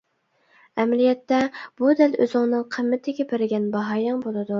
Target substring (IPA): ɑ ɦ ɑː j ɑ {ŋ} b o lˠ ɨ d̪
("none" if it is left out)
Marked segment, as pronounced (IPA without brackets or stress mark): ŋ